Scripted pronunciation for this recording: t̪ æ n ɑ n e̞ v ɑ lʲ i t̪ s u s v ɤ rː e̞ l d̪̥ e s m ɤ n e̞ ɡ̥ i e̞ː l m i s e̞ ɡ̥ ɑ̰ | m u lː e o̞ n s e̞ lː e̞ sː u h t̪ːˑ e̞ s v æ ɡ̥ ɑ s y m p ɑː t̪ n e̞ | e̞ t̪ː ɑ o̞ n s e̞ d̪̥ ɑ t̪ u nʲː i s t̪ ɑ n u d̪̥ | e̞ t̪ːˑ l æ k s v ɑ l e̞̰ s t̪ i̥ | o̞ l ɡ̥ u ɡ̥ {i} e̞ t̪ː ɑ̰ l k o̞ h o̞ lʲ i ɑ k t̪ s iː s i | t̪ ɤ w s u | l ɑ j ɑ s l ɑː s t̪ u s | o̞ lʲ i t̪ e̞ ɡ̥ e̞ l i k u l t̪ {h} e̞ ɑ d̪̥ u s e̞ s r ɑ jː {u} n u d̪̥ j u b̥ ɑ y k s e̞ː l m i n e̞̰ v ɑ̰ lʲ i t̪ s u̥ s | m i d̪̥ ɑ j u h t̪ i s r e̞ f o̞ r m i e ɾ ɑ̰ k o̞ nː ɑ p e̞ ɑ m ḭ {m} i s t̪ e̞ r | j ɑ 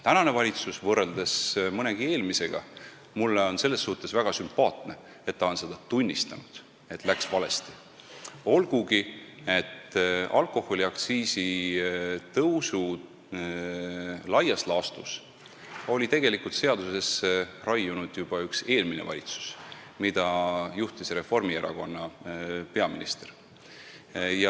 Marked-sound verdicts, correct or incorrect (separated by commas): correct, incorrect, correct, incorrect